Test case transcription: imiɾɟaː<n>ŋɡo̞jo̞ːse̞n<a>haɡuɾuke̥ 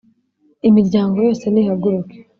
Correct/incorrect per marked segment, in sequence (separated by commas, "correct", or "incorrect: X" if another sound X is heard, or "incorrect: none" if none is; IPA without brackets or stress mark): incorrect: none, incorrect: i